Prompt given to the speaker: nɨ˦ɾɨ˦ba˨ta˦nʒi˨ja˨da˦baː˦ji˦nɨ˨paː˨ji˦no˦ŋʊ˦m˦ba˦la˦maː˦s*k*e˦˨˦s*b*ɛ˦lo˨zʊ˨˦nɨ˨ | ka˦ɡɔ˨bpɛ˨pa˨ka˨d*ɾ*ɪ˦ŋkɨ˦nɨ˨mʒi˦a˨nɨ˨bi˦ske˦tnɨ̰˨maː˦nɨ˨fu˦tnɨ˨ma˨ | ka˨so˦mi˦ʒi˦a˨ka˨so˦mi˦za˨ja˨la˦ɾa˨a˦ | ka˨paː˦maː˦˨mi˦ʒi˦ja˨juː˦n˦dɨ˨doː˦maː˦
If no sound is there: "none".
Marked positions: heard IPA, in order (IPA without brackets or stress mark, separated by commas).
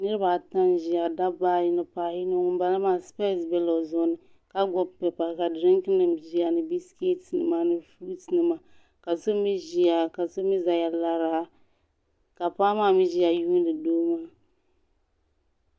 p, b, ɾ